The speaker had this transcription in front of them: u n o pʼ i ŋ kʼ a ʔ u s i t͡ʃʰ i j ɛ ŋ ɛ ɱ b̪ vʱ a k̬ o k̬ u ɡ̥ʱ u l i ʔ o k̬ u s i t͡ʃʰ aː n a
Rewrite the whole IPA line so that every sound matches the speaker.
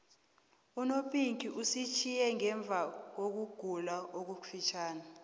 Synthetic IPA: u n o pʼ i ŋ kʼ i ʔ u s i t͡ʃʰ i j ɛ ŋ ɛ ɱ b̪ vʱ a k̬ o k̬ u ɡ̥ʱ u l a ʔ o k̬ u f i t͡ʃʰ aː n a